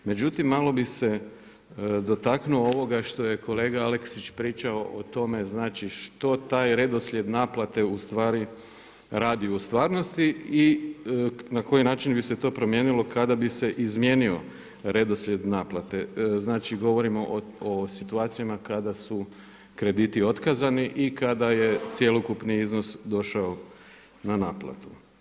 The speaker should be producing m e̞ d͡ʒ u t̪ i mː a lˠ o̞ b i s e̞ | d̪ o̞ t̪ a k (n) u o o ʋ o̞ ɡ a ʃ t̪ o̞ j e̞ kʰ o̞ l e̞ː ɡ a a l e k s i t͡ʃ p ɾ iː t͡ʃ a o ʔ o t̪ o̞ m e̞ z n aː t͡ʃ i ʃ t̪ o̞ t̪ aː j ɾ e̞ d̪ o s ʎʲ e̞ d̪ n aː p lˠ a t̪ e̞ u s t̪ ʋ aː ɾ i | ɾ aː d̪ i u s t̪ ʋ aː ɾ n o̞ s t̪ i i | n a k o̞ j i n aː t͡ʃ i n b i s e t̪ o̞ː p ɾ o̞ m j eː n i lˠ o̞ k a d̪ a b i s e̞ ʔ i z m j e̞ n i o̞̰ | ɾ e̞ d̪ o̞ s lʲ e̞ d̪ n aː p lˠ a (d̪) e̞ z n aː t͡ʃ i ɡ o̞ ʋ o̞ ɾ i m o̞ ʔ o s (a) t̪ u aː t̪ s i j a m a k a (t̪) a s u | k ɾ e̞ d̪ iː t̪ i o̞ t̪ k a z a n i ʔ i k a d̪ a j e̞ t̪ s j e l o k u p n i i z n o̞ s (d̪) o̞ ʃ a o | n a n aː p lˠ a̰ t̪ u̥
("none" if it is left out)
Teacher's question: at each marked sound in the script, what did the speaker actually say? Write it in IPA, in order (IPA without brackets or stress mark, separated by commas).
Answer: n, t̪, i, d̪, d̪